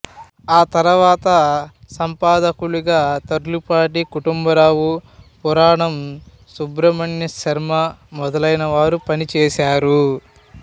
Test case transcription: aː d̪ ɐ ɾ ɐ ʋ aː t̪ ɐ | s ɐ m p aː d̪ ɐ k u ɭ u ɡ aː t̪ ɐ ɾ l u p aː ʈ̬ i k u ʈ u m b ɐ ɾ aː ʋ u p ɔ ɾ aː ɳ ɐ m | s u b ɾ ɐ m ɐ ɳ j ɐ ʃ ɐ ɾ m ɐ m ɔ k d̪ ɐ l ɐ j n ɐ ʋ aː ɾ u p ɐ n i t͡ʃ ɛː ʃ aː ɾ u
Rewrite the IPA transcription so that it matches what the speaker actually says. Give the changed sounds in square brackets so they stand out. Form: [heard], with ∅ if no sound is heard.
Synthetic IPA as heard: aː [t̪] ɐ ɾ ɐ ʋ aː t̪ ɐ | s ɐ m p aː d̪ ɐ k u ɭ u ɡ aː t̪ ɐ ɾ l u p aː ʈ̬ i k u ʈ u m b ɐ ɾ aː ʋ u p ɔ ɾ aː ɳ ɐ m | s u b ɾ ɐ m ɐ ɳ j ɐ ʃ ɐ ɾ m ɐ m ɔ [∅] d̪ ɐ l ɐ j n ɐ ʋ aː ɾ u p ɐ n i t͡ʃ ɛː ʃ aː ɾ u